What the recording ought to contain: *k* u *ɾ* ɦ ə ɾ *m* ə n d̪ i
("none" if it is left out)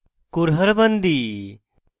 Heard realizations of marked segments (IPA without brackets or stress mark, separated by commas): k, ɾ, b